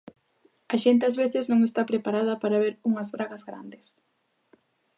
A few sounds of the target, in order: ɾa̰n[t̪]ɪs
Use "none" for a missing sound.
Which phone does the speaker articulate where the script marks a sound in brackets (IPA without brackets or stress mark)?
d̪